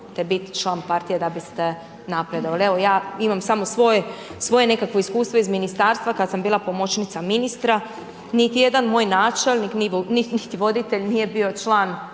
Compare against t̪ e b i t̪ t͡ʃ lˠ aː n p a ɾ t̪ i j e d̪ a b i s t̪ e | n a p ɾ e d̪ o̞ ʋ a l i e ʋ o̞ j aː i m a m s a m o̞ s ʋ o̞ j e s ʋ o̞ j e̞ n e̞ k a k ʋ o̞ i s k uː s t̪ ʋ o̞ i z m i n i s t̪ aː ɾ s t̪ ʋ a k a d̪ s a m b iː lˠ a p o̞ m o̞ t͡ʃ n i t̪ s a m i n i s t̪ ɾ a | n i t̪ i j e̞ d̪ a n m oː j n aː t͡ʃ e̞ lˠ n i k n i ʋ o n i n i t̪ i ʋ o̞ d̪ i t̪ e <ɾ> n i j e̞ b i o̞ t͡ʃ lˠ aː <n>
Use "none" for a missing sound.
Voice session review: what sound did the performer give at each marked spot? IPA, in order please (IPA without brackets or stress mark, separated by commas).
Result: ʎ, n